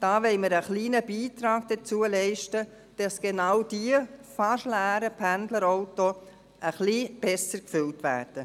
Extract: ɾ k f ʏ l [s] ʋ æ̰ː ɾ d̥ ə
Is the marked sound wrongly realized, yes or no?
yes